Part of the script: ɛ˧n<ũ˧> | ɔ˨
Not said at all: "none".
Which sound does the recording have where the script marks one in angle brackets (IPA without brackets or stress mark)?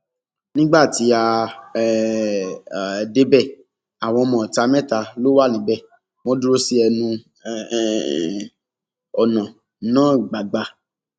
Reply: ũ˧